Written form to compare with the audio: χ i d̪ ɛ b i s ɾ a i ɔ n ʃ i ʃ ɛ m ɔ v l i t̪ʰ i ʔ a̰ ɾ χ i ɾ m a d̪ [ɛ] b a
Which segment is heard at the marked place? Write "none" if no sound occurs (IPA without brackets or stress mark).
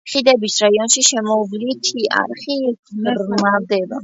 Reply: ɛ